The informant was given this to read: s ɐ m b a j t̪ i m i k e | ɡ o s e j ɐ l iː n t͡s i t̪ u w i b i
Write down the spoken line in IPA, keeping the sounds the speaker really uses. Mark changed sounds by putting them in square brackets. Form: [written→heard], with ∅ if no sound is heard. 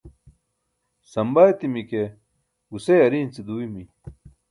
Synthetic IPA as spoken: s ɐ m b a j t̪ i m i k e | ɡ [o→u] s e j ɐ [l→ɾ] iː n t͡s i [t̪→d̪] u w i [b→m] i